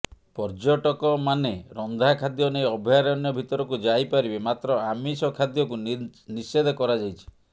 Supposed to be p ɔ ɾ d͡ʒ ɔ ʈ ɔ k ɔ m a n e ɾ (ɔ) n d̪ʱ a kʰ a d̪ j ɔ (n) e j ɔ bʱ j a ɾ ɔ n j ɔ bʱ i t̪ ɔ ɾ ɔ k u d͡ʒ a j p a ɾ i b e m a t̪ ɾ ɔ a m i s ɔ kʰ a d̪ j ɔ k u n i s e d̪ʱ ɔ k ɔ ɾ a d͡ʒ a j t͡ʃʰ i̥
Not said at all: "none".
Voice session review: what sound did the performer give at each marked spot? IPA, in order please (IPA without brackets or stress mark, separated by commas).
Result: ɔ, n